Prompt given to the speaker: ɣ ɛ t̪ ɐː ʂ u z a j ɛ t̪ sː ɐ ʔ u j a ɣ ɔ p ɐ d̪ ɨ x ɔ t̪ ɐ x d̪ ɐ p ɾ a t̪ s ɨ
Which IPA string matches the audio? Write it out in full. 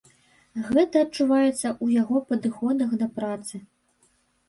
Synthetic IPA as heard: ɣ ɛ t̪ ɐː t͡ʂ u v a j ɛ t̪ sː ɐ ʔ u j a ɣ ɔ p ɐ d̪ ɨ x ɔ d̪ ɐ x d̪ ɐ p ɾ a t̪ s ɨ